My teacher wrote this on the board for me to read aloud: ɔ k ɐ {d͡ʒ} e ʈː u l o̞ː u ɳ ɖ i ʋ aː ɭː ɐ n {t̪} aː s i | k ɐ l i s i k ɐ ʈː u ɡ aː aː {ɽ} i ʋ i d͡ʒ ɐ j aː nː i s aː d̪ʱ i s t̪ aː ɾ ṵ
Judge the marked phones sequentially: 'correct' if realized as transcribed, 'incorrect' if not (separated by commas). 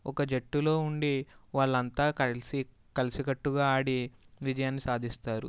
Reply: correct, correct, correct